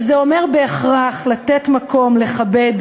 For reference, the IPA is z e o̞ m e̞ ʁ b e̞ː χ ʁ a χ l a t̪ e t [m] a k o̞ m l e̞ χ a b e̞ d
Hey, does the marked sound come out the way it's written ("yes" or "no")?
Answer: yes